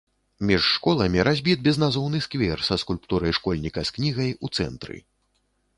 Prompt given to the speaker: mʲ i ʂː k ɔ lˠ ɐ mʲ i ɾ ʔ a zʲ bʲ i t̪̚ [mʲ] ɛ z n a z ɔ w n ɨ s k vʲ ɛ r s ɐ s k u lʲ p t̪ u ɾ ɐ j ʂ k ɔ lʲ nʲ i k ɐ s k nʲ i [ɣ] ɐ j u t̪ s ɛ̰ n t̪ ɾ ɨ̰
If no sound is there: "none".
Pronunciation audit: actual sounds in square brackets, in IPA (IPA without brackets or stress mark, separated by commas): bʲ, ɣ